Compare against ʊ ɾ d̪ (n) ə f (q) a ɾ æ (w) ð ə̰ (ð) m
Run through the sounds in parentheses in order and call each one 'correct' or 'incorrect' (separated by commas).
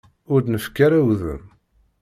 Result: correct, incorrect, correct, incorrect